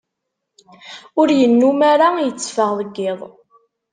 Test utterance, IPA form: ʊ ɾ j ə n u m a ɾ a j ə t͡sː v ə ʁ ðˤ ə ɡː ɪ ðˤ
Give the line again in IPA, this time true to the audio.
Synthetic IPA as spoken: ʊ ɾ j ə nː u m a ɾ a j ə t͡sː f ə ʁ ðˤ ə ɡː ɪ ðˤ